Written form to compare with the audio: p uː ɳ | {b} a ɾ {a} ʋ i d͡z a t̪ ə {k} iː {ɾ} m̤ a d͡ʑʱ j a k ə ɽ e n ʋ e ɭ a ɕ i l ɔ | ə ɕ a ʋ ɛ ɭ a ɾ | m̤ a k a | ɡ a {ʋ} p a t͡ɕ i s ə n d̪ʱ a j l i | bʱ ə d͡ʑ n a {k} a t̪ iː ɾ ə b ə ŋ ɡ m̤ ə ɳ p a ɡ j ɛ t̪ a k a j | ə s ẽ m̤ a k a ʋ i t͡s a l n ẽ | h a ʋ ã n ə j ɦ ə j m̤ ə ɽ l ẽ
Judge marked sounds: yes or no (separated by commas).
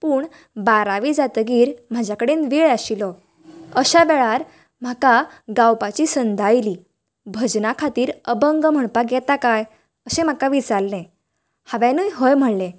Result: yes, yes, no, yes, no, no